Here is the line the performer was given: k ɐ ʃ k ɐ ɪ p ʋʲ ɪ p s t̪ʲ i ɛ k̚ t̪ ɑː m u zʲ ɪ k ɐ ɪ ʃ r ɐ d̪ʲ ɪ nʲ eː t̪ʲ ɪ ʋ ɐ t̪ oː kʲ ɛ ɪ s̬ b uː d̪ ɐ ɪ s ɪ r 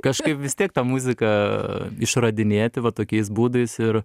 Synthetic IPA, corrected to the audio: k ɐ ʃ k ɐ ɪ p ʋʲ ɪ s t̪ʲ i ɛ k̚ t̪ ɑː m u zʲ ɪ k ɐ ɪ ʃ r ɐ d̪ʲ ɪ nʲ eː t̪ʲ ɪ ʋ ɐ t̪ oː kʲ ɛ ɪ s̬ b uː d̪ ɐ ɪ s ɪ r